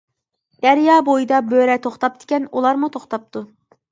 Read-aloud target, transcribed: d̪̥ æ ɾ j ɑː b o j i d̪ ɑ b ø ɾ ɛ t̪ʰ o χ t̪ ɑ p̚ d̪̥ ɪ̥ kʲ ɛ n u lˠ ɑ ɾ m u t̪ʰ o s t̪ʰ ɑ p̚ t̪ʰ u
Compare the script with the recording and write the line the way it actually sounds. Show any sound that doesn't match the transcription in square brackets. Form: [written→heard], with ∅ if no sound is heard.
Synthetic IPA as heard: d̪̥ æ ɾ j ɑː b o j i d̪ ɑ b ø ɾ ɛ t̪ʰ o χ t̪ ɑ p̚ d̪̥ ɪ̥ kʲ ɛ n u lˠ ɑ ɾ m u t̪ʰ o [s→χ] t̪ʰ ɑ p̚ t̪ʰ u